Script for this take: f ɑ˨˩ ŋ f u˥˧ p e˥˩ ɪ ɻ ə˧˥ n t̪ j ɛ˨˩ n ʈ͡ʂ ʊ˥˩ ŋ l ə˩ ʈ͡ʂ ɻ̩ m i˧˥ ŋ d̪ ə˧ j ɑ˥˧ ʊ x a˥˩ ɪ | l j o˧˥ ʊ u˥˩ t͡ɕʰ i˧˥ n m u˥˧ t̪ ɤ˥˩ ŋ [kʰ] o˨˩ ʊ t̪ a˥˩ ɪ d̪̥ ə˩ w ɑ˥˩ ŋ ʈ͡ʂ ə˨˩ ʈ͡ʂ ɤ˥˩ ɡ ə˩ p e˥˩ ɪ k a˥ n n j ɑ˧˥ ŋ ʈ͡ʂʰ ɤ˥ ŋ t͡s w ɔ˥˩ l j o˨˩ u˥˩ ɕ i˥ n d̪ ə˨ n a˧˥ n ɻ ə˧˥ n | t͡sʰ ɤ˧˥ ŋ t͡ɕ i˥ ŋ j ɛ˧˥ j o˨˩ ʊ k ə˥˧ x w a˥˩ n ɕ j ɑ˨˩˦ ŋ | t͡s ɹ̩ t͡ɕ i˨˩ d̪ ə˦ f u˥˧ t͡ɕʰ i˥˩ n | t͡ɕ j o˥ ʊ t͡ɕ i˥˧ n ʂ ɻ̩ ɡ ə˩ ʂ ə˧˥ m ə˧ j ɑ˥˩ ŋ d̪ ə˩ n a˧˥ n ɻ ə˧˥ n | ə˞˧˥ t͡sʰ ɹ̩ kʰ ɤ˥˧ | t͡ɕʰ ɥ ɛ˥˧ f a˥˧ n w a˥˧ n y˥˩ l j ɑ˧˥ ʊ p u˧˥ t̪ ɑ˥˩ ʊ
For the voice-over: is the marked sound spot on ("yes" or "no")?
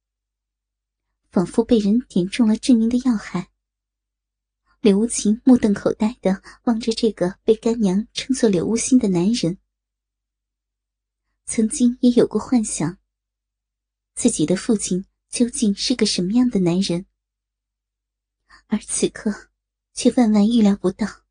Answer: yes